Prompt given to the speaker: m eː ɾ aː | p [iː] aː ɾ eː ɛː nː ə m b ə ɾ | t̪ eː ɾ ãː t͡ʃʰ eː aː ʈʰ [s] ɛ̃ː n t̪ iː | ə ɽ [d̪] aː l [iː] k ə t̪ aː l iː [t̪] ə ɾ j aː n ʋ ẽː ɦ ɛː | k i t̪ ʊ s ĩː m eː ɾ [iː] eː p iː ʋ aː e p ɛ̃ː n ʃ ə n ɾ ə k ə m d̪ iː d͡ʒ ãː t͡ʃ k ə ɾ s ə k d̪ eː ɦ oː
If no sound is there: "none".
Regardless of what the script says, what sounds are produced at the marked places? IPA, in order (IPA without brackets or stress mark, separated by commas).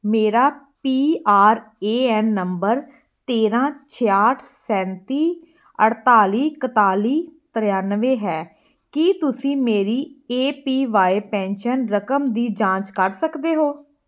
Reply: iː, s, t̪, iː, t̪, iː